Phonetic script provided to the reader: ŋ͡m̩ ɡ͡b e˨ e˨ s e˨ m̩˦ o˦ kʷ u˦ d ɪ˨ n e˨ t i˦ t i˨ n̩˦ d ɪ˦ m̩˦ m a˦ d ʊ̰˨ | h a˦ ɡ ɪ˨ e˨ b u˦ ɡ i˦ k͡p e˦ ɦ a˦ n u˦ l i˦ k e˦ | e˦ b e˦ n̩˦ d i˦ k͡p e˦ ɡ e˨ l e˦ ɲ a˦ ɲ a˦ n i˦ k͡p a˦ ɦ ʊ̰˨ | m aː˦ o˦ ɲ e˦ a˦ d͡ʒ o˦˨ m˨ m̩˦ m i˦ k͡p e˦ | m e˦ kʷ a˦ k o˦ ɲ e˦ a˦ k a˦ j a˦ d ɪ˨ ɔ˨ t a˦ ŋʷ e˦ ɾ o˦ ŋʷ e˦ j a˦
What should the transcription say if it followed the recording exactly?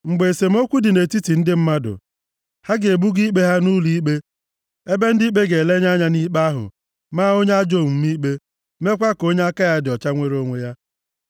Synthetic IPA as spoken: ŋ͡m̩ ɡ͡b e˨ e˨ s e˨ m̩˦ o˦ kʷ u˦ d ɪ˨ n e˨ t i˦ t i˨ n̩˦ d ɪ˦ m̩˦ m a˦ d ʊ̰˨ | h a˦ ɡ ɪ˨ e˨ b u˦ ɡ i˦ k͡p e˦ ɦ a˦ n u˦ l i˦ k͡p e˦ | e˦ b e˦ n̩˦ d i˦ k͡p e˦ ɡ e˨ l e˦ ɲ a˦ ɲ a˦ n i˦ k͡p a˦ ɦ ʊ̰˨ | m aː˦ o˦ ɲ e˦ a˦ d͡ʒ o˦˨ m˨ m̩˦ m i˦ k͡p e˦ | m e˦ kʷ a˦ k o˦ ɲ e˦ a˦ k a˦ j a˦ d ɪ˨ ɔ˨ t͡ʃ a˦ ŋʷ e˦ ɾ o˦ ŋʷ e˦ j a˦

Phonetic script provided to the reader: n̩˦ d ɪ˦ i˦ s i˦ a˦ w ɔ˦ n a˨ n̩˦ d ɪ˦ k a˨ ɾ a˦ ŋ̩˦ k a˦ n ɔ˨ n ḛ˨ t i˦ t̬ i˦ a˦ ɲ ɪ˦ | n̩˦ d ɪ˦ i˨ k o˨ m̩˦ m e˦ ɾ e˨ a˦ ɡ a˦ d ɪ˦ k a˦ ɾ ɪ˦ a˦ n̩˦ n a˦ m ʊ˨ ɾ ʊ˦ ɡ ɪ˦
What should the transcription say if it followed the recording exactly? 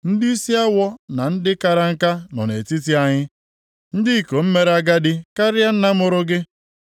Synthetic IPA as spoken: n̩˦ d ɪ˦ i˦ s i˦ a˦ w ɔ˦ n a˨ n̩˦ d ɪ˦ k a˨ ɾ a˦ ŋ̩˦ k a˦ n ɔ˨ n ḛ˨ t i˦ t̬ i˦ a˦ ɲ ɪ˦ | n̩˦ d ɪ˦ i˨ k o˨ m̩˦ m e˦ ɾ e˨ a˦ ɡ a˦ d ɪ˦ k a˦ ɾ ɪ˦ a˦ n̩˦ n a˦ m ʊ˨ ɾ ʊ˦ ɡ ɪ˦

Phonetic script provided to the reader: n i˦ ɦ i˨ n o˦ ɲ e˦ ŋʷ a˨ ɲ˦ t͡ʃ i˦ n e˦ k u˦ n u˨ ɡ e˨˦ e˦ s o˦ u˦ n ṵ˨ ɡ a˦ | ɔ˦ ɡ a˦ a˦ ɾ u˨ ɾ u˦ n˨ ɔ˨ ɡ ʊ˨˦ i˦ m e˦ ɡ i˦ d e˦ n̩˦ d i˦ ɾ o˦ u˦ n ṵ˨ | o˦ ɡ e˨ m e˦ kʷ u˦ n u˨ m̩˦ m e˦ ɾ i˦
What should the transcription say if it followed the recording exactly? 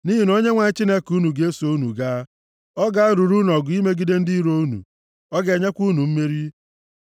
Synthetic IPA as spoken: n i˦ ɦ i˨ n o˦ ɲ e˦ ŋʷ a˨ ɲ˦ t͡ʃ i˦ n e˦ k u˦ n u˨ ɡ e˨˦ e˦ s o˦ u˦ n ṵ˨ ɡ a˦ | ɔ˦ ɡ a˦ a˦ ɾ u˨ ɾ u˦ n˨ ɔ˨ ɡ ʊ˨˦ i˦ m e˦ ɡ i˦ d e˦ n̩˦ d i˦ ɾ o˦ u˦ n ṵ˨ | ɔ˦ ɡ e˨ ɲ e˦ kʷ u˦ n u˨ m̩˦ m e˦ ɾ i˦

